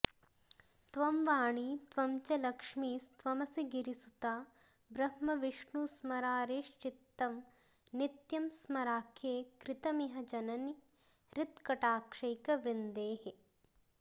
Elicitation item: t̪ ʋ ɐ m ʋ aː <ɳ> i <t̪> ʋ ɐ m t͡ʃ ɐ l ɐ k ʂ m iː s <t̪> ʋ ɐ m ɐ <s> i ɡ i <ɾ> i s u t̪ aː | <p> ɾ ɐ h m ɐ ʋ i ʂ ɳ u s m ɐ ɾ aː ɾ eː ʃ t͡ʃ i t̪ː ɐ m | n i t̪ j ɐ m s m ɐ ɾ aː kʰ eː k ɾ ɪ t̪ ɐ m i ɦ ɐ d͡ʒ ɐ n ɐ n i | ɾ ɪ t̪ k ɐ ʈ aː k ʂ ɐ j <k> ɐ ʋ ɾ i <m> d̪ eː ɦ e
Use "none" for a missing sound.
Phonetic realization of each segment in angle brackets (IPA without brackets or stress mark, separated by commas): ɳ, t̪, t̪, s, ɾ, b, k, n